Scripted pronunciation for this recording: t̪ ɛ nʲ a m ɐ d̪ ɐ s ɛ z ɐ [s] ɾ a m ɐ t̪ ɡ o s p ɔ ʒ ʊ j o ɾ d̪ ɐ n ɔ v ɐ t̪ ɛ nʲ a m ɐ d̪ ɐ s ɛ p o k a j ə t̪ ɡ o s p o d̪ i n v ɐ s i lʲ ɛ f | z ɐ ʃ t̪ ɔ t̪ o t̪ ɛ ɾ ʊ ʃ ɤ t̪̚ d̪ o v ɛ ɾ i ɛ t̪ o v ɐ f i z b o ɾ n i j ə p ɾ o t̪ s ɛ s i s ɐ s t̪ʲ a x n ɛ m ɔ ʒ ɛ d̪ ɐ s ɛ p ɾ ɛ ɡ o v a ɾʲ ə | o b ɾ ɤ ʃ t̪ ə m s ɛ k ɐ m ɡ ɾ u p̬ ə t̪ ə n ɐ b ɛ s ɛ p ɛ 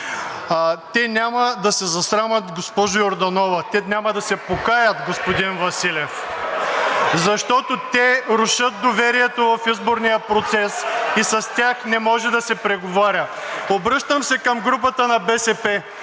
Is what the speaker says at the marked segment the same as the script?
yes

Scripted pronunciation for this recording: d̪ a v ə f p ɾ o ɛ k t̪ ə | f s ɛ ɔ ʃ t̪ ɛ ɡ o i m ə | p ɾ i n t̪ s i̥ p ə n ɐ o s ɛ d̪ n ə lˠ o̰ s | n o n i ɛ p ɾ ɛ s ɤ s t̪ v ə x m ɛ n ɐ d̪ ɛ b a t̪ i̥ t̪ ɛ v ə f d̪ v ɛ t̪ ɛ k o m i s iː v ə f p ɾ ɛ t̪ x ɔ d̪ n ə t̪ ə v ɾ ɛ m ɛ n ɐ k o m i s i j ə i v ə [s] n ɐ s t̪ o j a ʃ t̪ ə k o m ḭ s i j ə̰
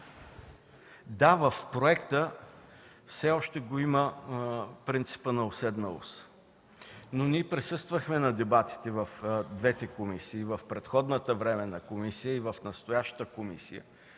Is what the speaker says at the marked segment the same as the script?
no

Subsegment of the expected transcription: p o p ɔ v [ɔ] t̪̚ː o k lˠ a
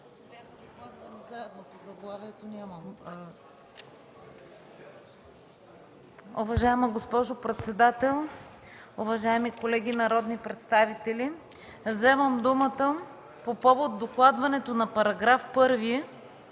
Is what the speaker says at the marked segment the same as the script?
no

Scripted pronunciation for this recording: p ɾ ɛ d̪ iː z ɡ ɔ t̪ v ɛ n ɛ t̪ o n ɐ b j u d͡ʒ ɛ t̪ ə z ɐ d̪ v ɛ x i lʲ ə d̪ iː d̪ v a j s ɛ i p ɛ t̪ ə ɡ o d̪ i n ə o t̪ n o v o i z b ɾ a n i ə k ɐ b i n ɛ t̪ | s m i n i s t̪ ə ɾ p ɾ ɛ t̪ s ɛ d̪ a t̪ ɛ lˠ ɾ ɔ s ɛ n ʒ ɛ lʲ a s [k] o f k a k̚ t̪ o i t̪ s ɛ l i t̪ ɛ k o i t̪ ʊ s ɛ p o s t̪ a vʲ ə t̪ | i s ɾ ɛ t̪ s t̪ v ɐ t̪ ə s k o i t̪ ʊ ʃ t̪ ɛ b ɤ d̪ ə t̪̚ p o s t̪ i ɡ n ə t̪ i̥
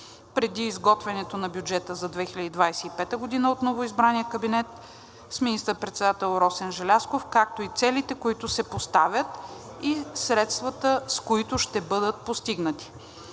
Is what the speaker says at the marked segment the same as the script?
yes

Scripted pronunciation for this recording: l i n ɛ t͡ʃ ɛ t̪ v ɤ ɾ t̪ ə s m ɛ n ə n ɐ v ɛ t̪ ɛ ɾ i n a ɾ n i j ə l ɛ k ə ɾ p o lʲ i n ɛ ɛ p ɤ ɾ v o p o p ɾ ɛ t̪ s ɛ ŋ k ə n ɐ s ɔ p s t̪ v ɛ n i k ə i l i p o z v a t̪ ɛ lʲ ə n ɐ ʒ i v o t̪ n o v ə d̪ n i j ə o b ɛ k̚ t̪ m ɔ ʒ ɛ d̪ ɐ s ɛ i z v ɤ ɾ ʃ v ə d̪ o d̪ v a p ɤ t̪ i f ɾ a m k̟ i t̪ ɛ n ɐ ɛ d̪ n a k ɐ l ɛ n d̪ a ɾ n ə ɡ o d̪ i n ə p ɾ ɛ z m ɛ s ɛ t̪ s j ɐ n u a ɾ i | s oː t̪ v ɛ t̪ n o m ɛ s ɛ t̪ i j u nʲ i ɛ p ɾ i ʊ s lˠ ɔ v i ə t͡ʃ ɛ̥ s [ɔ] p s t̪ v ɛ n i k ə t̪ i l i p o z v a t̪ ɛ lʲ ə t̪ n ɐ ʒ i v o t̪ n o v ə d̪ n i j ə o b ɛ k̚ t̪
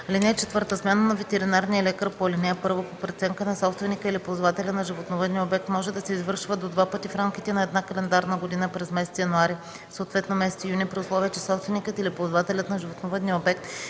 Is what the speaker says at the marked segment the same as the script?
yes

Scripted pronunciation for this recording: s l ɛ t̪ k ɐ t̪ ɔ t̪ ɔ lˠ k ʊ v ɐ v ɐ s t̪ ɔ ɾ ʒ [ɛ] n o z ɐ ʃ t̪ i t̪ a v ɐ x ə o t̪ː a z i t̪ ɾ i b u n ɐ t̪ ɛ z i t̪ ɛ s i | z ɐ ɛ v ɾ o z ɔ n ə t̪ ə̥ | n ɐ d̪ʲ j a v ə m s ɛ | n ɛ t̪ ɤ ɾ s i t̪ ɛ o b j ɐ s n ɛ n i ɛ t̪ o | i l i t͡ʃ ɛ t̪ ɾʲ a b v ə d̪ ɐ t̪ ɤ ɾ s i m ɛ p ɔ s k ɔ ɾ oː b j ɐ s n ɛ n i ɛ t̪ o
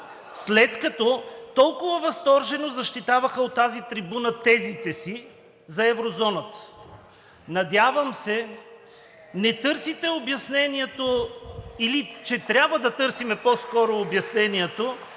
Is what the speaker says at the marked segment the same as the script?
yes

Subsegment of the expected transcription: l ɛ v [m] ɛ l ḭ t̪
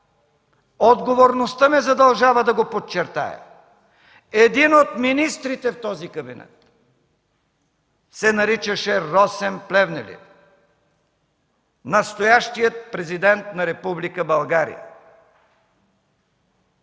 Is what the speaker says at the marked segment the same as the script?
no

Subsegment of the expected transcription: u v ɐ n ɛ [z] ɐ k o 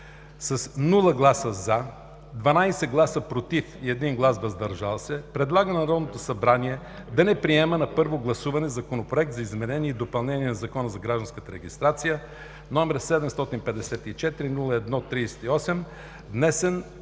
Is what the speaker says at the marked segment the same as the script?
yes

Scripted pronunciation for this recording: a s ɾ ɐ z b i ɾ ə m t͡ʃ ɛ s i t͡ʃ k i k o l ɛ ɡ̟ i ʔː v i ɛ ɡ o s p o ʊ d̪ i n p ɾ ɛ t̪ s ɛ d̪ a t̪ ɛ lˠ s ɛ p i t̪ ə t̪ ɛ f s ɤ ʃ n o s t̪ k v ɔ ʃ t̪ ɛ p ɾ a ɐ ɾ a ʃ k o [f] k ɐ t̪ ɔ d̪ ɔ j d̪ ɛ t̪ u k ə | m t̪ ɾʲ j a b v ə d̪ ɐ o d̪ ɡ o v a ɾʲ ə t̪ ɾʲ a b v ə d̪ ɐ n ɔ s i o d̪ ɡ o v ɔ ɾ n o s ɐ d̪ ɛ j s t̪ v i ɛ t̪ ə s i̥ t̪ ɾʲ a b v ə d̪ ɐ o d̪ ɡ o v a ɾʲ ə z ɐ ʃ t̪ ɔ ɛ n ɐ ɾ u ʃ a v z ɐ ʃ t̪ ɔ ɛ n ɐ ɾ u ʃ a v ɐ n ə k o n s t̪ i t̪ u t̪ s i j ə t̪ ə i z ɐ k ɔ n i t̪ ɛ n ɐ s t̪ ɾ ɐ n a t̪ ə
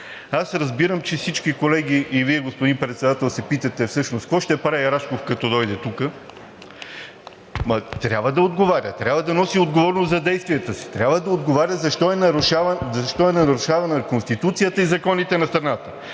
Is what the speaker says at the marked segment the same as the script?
yes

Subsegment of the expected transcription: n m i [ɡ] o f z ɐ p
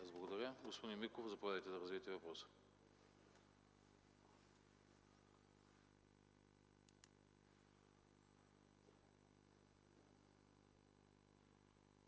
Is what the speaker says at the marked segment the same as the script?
no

